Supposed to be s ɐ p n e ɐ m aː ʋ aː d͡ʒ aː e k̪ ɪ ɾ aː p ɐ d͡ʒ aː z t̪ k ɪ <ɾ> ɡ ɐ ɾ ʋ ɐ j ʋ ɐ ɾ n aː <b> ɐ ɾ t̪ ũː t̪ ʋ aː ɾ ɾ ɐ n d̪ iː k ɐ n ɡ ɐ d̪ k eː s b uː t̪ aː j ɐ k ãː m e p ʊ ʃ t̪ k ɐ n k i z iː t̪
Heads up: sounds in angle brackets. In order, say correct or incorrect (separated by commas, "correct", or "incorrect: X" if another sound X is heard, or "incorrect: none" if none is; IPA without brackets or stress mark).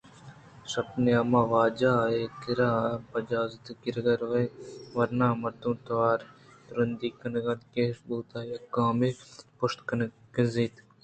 correct, incorrect: m